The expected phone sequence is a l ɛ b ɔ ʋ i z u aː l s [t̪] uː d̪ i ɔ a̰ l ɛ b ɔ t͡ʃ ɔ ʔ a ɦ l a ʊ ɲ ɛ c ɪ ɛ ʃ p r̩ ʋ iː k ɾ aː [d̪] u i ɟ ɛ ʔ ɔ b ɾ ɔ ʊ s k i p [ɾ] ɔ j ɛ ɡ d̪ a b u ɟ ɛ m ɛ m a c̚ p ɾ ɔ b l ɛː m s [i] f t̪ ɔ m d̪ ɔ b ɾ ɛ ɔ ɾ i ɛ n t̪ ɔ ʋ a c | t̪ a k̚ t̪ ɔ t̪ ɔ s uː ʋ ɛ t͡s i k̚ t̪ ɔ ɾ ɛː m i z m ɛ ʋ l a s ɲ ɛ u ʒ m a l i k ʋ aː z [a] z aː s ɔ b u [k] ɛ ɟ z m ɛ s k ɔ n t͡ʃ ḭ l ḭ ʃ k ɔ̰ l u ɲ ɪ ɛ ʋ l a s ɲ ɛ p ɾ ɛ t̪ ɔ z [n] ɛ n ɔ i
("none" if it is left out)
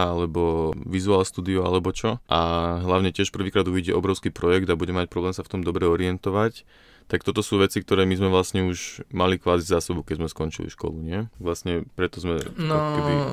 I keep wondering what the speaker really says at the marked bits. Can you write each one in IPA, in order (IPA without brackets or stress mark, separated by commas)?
t̪, d̪, ɾ, a, i, k, m